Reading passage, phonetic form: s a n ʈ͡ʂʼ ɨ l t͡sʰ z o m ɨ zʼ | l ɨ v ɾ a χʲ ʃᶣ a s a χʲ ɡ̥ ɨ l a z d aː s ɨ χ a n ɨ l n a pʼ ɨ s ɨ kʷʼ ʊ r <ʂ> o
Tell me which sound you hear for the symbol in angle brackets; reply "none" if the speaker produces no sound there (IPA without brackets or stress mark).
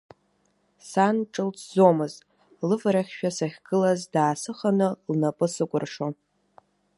ʂ